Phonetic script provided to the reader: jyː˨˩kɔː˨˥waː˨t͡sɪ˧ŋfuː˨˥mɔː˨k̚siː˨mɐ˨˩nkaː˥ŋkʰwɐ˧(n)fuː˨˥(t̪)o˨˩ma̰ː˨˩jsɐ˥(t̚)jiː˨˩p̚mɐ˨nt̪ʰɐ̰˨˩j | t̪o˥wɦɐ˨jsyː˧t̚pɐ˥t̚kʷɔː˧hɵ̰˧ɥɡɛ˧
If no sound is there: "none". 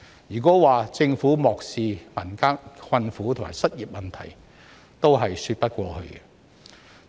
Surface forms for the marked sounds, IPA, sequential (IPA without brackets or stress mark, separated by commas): n, t̪ʰ, t̚